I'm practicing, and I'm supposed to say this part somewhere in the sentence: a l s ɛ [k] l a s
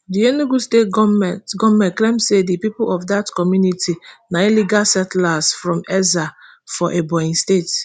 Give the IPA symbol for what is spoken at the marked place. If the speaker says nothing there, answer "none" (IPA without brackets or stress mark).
t